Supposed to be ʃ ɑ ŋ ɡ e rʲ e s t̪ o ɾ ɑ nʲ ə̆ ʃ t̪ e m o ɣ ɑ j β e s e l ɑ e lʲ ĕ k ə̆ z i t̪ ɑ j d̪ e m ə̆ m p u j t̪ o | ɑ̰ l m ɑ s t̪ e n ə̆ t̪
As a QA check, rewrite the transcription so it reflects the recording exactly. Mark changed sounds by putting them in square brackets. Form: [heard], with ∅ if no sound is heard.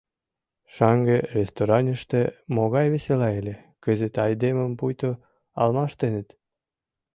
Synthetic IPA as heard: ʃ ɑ ŋ ɡ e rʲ e s t̪ o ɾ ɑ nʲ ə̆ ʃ t̪ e m o ɣ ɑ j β e s e l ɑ e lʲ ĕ k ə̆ z [e] t̪ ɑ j d̪ e m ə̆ m p u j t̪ o | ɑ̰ l m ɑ [ʃ] t̪ e n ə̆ t̪